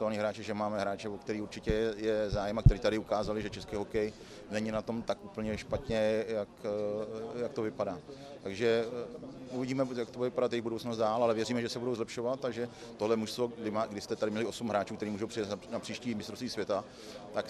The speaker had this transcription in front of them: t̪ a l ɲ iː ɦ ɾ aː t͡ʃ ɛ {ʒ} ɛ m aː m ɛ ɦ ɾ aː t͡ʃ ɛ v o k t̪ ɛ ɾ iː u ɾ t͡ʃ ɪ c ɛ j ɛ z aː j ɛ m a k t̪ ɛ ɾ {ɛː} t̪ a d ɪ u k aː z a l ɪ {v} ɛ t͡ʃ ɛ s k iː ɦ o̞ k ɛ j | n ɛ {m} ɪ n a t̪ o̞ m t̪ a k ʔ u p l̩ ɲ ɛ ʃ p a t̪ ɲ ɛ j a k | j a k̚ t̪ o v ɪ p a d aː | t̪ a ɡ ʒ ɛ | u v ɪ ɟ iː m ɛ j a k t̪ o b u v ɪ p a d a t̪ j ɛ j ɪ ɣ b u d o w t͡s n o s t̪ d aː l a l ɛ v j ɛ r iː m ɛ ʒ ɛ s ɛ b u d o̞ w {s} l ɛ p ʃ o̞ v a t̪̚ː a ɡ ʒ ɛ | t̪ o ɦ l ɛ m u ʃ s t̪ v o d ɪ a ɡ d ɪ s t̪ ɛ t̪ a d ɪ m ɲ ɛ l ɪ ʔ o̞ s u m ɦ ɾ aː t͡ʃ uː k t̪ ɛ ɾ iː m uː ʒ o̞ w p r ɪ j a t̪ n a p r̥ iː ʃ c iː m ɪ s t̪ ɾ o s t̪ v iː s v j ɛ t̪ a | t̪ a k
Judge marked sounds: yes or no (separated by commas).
yes, no, no, no, no